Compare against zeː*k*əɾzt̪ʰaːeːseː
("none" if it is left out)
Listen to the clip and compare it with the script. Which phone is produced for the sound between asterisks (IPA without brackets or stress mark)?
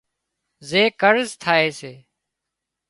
k